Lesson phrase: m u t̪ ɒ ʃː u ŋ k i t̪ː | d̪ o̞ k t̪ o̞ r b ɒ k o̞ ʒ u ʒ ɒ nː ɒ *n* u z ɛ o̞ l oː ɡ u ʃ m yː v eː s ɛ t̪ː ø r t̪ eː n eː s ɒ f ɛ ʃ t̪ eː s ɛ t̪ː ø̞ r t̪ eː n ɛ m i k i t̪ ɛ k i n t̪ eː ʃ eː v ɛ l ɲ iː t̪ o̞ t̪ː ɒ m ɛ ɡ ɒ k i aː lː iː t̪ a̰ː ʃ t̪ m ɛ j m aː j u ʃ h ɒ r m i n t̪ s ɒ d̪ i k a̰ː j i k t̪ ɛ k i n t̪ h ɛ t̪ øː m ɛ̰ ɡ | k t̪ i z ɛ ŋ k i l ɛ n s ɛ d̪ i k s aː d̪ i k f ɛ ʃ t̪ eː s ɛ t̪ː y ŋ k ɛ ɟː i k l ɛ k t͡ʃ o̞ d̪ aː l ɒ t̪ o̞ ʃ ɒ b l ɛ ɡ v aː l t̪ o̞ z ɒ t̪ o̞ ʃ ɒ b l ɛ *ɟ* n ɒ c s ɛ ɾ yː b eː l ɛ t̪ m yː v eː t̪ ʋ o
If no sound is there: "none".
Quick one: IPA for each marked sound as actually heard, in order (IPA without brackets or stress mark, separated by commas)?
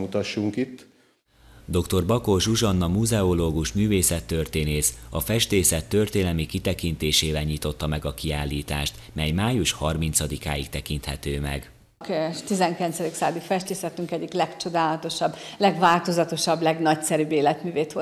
m, ɡ